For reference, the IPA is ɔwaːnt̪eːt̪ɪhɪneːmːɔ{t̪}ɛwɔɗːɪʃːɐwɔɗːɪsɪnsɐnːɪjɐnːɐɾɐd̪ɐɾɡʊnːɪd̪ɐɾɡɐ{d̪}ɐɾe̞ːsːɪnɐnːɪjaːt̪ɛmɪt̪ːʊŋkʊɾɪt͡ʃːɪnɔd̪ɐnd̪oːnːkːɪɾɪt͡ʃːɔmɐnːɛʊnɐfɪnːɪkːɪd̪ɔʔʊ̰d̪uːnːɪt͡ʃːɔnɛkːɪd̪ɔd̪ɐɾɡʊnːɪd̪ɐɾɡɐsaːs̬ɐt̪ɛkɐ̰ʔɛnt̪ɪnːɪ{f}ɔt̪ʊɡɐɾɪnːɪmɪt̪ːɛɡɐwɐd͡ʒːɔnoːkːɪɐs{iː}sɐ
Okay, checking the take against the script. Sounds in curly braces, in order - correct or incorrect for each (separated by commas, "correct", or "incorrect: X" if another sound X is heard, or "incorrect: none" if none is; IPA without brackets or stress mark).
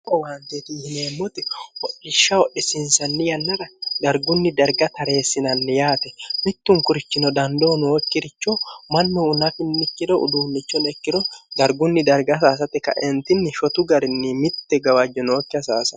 correct, incorrect: t̪, incorrect: ʃ, incorrect: aː